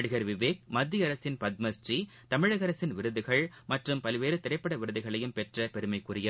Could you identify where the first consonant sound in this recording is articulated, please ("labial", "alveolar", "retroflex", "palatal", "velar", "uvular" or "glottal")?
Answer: retroflex